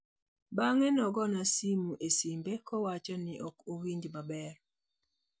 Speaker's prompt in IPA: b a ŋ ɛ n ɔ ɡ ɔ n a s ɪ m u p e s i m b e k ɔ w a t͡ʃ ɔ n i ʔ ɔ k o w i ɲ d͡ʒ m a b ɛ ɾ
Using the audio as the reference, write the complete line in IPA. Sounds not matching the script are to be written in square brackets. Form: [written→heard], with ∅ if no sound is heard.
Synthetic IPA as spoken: b a ŋ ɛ n ɔ ɡ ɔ n a s [ɪ→i] m u [p→ʔ] e s i m b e k ɔ w a t͡ʃ ɔ n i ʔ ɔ k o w i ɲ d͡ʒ m a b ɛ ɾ